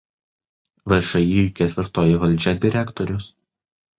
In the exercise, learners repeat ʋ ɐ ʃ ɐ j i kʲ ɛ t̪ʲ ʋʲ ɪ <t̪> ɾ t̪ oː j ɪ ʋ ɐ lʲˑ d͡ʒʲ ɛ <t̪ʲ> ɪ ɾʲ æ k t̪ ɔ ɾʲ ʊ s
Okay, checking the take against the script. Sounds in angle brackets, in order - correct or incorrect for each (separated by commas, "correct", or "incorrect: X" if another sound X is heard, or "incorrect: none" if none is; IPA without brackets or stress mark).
incorrect: none, incorrect: d̪ʲ